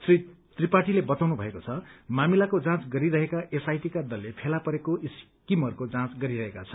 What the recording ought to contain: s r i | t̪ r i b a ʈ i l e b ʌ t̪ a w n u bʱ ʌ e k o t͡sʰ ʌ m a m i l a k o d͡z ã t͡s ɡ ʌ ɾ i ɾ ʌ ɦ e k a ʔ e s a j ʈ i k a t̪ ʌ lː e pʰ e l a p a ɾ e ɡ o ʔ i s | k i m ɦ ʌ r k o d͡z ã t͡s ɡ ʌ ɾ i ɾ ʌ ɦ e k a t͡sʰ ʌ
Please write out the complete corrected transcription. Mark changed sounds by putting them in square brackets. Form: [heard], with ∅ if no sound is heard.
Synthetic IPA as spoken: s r i | t̪ r i [p] a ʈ i l e b ʌ t̪ a w n u bʱ ʌ e k o t͡sʰ ʌ m a m i l a k o d͡z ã t͡s ɡ ʌ ɾ i ɾ ʌ ɦ e k a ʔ e s a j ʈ i k a [d̪] ʌ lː e pʰ e l a p [ʌ] ɾ e [k] o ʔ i s | k i m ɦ ʌ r k o d͡z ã t͡s ɡ ʌ ɾ i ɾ ʌ ɦ e k a t͡sʰ ʌ